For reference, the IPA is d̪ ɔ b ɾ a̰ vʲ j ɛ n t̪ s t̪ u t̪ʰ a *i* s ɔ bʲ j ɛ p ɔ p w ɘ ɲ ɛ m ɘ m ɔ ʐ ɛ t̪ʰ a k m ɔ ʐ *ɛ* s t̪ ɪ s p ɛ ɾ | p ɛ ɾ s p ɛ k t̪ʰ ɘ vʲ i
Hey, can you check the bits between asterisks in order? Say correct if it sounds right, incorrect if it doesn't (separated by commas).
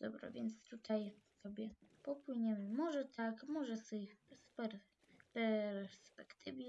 incorrect, correct